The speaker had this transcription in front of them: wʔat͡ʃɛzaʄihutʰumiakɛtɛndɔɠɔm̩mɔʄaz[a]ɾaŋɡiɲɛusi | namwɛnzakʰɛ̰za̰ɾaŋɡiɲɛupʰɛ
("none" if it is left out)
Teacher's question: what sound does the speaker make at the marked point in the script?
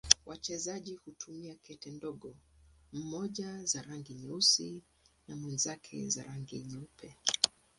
a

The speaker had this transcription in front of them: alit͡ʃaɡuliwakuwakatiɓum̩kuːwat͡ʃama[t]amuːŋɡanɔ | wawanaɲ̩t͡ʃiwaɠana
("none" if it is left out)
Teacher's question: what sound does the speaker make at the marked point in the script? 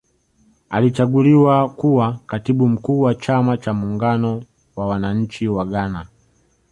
t͡ʃ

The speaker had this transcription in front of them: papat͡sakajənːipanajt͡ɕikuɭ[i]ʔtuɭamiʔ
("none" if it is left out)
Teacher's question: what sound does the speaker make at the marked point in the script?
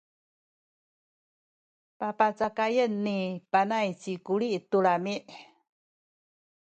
i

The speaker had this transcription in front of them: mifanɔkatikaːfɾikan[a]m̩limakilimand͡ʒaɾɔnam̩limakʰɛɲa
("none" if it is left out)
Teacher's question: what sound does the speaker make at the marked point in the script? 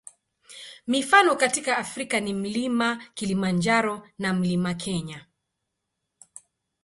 i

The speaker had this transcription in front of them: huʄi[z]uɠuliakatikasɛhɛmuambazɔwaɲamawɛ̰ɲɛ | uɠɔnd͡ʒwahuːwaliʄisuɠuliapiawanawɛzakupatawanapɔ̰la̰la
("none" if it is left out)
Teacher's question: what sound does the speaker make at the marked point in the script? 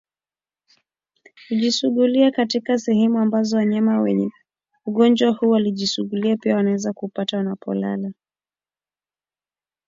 s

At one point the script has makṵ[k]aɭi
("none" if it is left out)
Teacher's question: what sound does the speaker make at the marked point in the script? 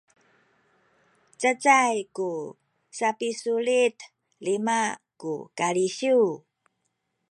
k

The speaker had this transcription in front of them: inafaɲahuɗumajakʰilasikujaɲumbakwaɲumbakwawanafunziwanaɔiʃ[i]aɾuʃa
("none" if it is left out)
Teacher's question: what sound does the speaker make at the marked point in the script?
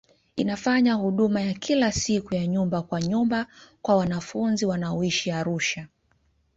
i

